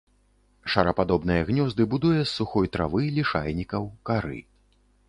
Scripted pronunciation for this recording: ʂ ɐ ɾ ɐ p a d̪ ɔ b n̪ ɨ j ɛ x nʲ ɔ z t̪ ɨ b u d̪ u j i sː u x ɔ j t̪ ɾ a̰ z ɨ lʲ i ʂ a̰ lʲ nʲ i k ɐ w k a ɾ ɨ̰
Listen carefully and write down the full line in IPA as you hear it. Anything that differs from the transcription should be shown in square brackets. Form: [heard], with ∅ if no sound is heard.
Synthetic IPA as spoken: ʂ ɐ ɾ ɐ p a d̪ ɔ b n̪ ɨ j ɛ [ɣ] nʲ ɔ z [d̪] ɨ b u d̪ u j [ɛ] sː u x ɔ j t̪ ɾ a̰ [v] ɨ lʲ i ʂ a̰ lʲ nʲ i k ɐ w k a ɾ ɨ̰

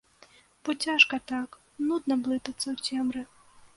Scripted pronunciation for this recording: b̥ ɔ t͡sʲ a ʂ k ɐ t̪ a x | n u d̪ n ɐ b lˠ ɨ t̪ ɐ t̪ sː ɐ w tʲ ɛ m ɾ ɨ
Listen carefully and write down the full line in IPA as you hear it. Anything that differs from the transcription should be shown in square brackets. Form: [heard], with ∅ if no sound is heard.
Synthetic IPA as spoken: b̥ ɔ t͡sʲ a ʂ k ɐ t̪ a [k] | n u d̪ n ɐ b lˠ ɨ t̪ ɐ t̪ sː ɐ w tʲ ɛ m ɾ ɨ

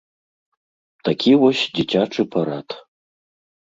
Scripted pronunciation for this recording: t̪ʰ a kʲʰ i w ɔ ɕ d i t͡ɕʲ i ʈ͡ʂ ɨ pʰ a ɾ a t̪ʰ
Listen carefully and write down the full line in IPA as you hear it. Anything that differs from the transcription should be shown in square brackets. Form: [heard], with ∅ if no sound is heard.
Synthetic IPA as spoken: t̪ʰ a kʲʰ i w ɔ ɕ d i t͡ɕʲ [a] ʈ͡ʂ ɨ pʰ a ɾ a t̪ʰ

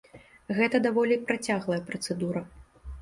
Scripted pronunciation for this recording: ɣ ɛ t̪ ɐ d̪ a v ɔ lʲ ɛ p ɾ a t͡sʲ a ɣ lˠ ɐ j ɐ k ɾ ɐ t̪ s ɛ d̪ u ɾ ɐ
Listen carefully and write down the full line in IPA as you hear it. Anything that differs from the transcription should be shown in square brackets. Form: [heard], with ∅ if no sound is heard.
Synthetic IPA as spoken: ɣ ɛ t̪ ɐ d̪ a v ɔ lʲ [i] p ɾ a t͡sʲ a ɣ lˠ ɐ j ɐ [p] ɾ ɐ t̪ s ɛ d̪ u ɾ ɐ

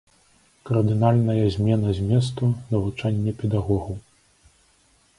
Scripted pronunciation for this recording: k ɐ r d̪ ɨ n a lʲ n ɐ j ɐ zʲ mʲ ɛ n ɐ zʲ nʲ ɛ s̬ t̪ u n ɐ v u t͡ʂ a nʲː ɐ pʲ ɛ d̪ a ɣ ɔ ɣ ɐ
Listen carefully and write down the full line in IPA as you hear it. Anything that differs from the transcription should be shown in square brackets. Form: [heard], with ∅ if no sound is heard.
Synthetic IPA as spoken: k ɐ r d̪ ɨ n a lʲ n ɐ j ɐ zʲ mʲ ɛ n ɐ zʲ [mʲ] ɛ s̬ t̪ u n ɐ v u t͡ʂ a nʲː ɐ pʲ ɛ d̪ a ɣ ɔ ɣ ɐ

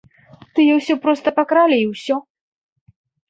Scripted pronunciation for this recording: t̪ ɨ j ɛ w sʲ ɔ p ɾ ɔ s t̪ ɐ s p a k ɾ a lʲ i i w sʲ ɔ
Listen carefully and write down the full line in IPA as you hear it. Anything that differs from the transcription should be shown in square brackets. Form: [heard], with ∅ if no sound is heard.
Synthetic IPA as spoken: t̪ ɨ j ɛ w sʲ ɔ p ɾ ɔ s t̪ ɐ [∅] p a k ɾ a lʲ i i w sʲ ɔ

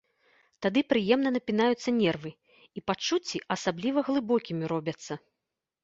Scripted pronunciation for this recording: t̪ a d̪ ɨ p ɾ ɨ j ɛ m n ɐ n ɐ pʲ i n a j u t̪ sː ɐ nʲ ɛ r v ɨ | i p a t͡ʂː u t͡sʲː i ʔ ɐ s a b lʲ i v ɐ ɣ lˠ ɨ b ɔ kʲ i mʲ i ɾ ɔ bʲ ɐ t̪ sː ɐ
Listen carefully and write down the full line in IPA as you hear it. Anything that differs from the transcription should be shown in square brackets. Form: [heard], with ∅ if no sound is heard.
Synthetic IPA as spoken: t̪ a d̪ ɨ p ɾ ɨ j ɛ m n ɐ n ɐ pʲ i n a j u t̪ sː ɐ nʲ ɛ r v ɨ | i p a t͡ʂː u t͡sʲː i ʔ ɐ s a b lʲ i v ɐ ɣ lˠ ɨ b ɔ kʲ i mʲ i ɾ ɔ bʲ ɐ t̪ sː ɐ

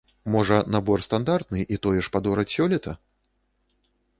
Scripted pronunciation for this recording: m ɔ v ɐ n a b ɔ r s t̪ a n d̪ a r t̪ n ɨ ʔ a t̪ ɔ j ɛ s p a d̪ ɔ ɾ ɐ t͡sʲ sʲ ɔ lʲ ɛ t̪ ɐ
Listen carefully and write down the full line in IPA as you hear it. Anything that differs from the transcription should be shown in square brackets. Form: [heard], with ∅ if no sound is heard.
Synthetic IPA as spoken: m ɔ [ʐ] ɐ n a b ɔ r s t̪ a n d̪ a r t̪ n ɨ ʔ [i] t̪ ɔ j ɛ [ʂ] p a d̪ ɔ ɾ ɐ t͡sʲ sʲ ɔ lʲ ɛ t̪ ɐ

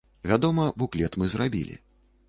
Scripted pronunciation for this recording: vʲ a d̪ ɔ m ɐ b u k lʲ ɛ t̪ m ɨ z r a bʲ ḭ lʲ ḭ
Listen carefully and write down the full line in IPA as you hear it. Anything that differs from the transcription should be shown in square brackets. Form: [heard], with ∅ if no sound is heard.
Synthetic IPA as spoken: vʲ a d̪ ɔ m ɐ b u k lʲ ɛ t̪ m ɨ z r a bʲ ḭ lʲ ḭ

